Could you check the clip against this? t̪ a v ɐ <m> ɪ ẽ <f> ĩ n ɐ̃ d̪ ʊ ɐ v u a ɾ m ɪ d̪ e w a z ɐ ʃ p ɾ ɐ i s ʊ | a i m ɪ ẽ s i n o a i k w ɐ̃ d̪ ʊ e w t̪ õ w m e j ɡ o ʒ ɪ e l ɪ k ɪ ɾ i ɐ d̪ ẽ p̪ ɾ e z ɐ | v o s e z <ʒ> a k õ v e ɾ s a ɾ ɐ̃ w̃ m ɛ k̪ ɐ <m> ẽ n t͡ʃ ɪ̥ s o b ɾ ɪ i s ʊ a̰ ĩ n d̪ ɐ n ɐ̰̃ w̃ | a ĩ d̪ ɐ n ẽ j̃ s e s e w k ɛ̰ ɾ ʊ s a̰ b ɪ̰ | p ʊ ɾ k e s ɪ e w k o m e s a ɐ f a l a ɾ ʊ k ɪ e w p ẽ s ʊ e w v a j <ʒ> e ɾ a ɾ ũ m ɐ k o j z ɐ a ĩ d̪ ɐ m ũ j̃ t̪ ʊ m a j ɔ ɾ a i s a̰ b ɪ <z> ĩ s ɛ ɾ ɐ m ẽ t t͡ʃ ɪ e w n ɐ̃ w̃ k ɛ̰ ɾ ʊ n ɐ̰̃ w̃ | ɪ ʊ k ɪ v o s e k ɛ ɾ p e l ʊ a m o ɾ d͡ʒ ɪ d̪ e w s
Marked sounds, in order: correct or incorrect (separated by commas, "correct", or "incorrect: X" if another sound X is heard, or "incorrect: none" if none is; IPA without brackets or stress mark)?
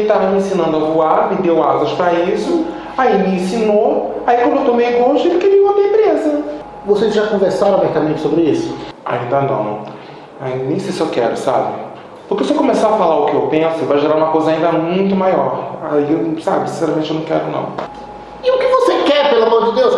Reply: correct, incorrect: s, correct, correct, correct, incorrect: s